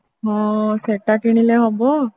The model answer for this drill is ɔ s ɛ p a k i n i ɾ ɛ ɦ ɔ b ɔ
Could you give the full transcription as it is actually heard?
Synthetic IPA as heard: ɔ s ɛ t a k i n i l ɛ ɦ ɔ b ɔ